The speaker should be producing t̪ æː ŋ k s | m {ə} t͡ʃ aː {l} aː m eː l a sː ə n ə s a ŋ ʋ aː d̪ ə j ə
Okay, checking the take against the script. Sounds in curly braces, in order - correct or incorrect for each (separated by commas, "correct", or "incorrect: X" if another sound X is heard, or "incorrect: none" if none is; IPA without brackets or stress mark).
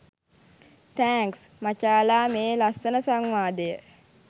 incorrect: a, correct